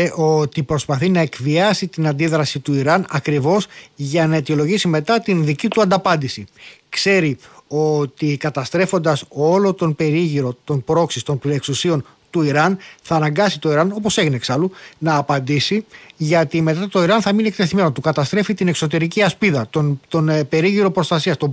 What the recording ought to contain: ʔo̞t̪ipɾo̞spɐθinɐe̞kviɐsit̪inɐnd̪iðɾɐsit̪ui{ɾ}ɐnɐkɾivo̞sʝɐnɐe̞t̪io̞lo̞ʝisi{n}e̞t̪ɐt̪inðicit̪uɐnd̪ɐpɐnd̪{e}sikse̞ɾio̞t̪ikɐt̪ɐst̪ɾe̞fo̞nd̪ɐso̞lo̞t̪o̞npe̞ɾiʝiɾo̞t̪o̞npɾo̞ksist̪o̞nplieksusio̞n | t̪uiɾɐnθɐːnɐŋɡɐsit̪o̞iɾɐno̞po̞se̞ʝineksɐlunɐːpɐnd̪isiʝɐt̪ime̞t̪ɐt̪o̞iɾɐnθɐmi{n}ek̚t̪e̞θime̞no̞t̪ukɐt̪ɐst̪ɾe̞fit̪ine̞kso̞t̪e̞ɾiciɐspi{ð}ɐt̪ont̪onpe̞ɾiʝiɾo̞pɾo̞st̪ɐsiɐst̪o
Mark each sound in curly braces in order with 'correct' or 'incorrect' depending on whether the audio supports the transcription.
correct, incorrect, incorrect, correct, correct

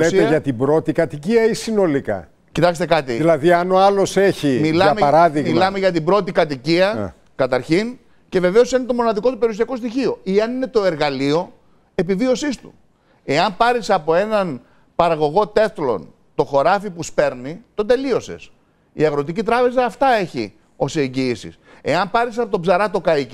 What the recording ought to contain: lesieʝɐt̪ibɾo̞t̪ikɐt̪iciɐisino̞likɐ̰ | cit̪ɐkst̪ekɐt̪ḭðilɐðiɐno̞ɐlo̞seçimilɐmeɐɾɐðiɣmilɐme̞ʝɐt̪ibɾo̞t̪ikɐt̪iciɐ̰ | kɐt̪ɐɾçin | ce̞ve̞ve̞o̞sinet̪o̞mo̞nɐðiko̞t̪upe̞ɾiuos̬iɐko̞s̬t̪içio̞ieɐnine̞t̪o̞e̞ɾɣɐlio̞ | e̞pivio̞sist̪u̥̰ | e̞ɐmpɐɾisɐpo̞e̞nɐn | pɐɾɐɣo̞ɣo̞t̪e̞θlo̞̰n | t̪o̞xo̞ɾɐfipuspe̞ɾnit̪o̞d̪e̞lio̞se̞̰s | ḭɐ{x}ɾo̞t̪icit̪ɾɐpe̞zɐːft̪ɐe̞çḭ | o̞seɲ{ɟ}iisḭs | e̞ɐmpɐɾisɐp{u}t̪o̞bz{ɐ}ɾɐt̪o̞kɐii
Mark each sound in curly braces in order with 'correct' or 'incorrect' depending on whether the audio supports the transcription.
incorrect, correct, incorrect, correct

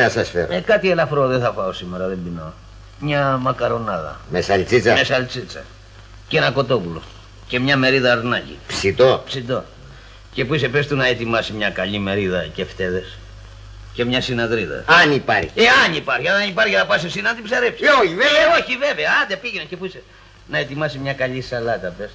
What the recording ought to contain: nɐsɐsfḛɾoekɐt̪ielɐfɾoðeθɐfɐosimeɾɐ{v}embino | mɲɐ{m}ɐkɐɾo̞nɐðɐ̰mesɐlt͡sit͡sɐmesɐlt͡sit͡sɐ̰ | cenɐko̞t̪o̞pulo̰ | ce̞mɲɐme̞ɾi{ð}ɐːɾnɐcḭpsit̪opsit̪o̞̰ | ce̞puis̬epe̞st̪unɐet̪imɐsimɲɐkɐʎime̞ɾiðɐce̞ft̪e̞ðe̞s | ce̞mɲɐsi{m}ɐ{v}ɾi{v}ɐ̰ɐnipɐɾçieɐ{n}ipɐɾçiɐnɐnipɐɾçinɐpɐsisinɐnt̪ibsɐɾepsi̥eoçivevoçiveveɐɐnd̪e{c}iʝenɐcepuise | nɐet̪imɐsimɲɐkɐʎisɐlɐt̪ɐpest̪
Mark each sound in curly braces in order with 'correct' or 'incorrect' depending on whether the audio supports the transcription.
incorrect, correct, correct, incorrect, incorrect, incorrect, correct, incorrect

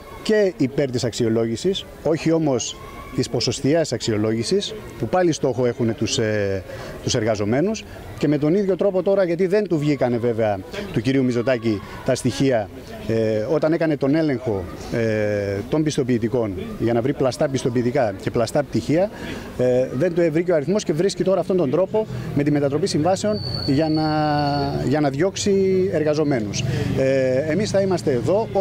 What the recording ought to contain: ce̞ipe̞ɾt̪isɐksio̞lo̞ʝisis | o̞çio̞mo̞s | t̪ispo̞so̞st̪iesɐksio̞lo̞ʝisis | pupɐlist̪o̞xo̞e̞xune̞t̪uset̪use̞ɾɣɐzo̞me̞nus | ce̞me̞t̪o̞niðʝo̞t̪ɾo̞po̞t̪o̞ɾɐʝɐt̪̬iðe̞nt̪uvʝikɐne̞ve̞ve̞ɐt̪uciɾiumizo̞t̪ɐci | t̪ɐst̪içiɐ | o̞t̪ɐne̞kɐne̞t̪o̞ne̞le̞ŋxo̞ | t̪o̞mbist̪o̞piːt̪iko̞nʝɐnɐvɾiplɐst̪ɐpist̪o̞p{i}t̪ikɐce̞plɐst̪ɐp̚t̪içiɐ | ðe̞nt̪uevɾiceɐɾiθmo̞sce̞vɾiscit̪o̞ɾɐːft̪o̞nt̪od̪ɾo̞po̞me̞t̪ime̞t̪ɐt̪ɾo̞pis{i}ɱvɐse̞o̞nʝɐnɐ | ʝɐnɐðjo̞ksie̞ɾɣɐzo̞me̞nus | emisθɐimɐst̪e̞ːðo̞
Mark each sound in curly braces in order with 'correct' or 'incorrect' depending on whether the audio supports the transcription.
incorrect, correct

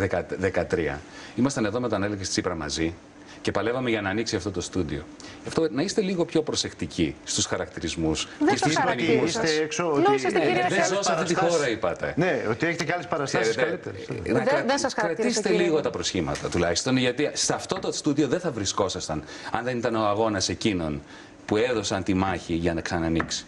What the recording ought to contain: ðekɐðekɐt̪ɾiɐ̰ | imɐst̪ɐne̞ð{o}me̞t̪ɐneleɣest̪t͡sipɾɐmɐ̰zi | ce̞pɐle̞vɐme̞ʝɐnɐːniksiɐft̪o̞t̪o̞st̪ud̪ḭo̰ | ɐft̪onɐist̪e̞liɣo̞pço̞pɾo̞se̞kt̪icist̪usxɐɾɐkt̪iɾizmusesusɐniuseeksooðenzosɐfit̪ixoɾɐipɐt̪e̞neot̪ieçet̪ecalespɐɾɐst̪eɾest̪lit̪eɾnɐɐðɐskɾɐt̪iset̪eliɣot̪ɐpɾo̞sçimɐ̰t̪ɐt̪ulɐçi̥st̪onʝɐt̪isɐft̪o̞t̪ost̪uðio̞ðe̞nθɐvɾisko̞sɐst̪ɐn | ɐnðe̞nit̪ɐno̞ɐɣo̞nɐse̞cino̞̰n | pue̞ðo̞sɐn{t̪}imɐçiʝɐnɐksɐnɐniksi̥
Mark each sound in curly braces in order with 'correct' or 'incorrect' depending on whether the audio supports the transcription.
correct, correct

